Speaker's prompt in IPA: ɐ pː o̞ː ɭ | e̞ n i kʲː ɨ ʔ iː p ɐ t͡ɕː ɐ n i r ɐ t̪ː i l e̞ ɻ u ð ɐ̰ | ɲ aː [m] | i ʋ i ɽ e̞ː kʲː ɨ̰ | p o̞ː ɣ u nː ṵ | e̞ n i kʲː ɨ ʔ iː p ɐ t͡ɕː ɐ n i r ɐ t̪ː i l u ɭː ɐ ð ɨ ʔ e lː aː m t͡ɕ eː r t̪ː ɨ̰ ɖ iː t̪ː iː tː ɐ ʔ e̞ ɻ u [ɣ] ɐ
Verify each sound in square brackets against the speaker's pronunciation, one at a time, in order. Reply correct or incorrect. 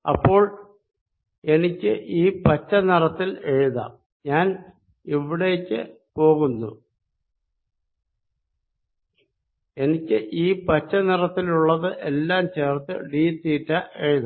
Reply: incorrect, incorrect

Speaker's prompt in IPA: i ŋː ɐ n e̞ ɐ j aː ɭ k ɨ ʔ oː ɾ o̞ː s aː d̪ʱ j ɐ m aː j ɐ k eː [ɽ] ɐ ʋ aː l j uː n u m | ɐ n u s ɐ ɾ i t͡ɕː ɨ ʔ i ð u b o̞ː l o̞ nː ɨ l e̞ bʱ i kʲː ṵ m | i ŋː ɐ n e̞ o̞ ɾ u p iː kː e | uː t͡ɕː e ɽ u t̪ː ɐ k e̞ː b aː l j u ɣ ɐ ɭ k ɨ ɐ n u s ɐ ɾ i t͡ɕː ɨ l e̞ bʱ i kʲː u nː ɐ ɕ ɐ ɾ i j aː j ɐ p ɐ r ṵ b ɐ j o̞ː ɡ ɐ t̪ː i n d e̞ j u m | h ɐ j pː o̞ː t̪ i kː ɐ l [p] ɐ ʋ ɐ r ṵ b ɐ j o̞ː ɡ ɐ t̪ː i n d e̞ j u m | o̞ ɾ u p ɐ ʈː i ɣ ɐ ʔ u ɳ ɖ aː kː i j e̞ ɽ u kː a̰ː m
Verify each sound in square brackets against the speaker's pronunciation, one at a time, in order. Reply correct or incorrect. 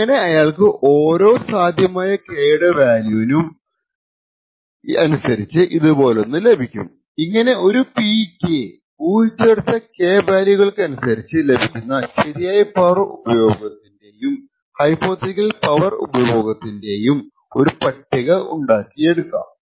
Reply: correct, correct

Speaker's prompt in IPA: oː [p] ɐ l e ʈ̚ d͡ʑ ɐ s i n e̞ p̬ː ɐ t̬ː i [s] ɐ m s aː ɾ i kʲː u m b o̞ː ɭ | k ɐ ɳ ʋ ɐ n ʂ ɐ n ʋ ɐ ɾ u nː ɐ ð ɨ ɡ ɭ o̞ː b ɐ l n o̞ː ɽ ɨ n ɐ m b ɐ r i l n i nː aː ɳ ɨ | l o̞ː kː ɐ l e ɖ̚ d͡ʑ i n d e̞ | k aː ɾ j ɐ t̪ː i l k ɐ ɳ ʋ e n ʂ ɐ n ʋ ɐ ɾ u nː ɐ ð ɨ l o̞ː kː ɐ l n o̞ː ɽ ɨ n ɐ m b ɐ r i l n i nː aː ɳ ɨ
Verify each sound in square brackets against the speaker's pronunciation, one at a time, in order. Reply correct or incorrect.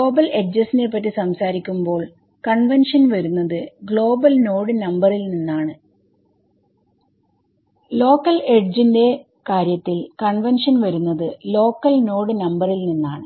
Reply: incorrect, correct

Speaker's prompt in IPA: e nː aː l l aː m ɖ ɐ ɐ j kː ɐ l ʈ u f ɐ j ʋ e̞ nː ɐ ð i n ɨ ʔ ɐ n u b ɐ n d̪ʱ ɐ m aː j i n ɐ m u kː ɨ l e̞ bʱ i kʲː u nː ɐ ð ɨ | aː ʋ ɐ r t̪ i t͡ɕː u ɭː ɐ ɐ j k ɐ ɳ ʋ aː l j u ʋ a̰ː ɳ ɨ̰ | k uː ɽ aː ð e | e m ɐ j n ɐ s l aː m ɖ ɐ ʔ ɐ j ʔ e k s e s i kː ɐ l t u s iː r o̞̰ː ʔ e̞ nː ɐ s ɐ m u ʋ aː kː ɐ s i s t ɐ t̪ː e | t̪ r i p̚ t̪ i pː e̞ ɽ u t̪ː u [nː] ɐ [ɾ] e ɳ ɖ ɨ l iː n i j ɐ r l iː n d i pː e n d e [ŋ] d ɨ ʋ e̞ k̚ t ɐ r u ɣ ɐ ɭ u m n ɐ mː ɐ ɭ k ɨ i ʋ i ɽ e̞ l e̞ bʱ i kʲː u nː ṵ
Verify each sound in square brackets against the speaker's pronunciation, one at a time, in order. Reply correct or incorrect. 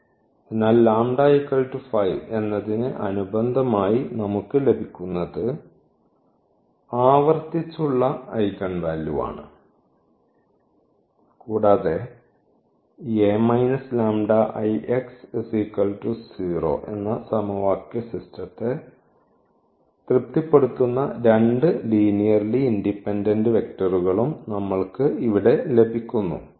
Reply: correct, correct, incorrect

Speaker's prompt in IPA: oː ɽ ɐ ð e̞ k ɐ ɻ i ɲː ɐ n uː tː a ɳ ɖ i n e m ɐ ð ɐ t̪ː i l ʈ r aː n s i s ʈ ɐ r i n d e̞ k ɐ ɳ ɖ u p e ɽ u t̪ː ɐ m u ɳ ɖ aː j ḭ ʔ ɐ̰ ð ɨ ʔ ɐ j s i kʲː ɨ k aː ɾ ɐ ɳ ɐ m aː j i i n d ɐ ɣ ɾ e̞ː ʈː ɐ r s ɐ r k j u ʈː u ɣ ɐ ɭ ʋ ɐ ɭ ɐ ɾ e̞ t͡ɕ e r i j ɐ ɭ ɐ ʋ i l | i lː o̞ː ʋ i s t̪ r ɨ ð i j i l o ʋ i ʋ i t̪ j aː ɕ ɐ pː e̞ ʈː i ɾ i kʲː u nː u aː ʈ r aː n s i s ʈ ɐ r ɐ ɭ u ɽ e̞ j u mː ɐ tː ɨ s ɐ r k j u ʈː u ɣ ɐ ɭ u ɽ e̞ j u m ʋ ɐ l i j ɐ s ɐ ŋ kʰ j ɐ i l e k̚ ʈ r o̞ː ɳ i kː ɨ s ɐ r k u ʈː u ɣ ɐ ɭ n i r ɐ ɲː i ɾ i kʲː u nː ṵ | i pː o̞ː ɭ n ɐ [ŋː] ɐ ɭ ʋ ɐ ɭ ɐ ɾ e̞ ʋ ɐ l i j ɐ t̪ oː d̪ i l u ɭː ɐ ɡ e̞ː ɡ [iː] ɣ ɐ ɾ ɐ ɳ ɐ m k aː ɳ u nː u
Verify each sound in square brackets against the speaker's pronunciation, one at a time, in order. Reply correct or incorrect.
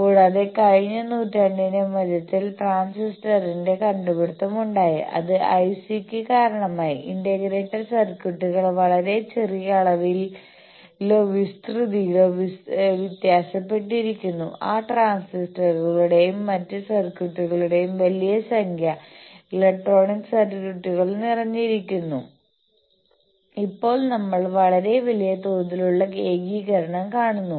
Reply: incorrect, correct

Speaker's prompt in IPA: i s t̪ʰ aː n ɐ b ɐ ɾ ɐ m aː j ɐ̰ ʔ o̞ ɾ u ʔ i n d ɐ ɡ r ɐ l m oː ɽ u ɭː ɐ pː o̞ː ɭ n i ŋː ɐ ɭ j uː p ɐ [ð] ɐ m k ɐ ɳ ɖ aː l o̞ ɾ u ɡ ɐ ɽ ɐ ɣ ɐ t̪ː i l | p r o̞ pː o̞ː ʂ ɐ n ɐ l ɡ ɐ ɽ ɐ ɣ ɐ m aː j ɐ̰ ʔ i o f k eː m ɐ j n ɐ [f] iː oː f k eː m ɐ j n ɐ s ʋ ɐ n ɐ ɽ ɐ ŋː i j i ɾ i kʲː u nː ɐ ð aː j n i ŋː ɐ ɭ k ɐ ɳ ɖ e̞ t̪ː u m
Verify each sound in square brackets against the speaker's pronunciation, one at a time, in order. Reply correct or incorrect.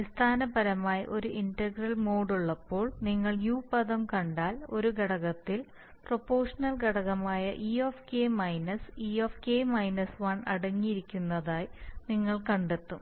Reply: correct, incorrect

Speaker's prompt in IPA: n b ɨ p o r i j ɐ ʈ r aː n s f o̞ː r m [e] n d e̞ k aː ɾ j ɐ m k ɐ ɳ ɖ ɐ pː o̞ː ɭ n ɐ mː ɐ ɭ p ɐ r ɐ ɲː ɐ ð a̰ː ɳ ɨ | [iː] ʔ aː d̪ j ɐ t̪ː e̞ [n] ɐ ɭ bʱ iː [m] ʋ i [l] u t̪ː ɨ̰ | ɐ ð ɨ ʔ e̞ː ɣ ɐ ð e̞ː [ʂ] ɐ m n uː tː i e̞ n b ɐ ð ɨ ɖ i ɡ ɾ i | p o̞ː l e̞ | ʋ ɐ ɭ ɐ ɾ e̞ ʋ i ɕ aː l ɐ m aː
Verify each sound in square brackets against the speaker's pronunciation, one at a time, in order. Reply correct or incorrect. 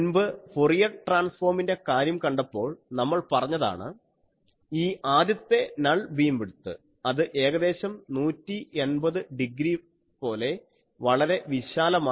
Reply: incorrect, correct, correct, correct, incorrect, incorrect

